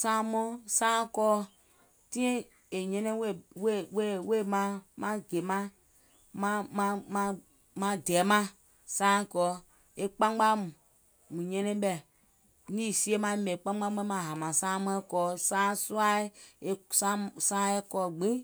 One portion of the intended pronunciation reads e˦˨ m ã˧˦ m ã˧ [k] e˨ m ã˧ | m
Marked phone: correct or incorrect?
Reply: incorrect